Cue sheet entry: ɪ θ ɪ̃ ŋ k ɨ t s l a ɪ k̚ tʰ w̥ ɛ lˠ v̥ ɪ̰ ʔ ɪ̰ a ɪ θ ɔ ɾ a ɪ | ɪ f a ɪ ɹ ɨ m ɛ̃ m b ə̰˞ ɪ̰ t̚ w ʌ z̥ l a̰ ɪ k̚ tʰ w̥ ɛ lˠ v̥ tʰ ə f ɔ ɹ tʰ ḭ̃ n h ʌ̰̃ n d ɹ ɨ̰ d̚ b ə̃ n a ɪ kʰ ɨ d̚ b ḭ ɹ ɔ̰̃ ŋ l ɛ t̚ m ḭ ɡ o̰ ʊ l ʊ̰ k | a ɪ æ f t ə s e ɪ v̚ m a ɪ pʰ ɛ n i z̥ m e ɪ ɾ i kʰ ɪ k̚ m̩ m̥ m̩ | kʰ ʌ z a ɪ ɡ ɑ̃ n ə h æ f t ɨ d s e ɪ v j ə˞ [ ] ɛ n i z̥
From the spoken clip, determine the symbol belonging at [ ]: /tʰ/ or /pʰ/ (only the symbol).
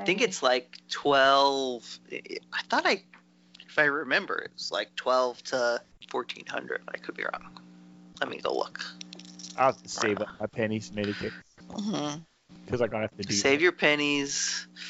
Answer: pʰ